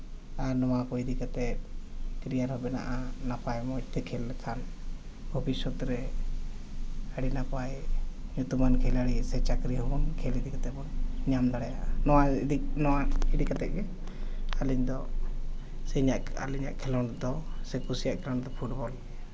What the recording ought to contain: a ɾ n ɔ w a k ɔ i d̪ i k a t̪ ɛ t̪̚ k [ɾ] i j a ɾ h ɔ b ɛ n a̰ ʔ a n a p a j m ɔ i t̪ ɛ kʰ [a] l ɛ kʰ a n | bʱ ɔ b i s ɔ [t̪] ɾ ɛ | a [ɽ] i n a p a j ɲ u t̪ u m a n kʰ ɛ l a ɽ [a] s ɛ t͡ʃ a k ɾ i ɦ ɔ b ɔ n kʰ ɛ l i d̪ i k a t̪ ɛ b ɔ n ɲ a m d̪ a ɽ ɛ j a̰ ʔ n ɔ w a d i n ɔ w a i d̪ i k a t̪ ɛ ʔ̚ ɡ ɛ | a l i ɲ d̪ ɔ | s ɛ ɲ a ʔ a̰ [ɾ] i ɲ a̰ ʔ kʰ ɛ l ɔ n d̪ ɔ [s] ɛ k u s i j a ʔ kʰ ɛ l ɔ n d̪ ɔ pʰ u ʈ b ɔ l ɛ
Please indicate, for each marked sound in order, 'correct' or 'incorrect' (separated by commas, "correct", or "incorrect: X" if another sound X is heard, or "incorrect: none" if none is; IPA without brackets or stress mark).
correct, incorrect: ɛ, correct, correct, incorrect: i, incorrect: l, correct